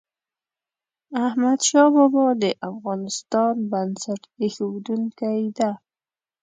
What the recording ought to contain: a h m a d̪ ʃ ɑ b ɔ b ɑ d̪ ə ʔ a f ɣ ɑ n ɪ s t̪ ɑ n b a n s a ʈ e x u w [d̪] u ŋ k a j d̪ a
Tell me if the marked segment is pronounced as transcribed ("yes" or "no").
yes